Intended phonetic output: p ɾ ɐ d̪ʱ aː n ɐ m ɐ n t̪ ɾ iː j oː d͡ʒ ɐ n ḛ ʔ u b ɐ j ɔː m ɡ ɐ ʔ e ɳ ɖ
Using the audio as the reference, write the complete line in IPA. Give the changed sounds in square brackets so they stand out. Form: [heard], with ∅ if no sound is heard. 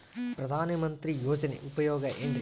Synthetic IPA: p ɾ ɐ d̪ʱ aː n ɐ m ɐ n t̪ ɾ [i] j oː d͡ʒ ɐ n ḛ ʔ u [p] ɐ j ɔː [∅] ɡ ɐ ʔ e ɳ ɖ